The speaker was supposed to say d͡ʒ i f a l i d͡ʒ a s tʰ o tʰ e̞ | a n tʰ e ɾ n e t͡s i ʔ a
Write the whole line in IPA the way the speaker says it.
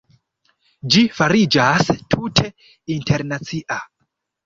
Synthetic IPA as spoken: d͡ʒ i f a ɾ i d͡ʒ a s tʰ u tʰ e̞ | i n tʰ e ɾ n a t͡s i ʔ a